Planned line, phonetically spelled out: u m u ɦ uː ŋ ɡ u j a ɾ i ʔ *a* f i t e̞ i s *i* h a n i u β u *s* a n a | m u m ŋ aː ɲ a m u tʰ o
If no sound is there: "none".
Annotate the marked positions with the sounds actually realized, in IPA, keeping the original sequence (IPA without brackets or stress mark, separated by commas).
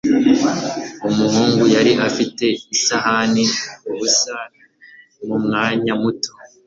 a, a, s